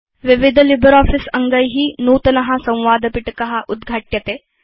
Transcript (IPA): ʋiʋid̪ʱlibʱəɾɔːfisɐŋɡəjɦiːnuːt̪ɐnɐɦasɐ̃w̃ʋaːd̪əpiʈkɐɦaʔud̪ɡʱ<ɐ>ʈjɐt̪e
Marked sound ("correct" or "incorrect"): incorrect